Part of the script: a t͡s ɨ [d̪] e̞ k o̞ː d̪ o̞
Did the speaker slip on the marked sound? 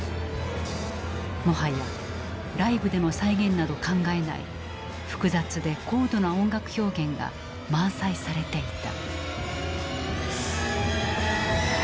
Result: no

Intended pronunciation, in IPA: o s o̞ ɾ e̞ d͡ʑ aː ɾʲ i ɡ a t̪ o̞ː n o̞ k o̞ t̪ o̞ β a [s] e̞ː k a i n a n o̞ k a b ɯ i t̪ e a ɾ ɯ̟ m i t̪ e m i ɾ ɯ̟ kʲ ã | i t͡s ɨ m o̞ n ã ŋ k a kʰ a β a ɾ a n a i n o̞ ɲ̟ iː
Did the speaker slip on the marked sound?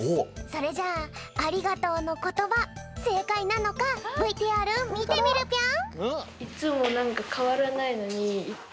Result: no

